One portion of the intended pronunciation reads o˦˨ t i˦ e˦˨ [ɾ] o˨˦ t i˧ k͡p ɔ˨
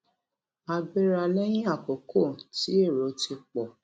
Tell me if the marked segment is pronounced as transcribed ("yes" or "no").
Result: yes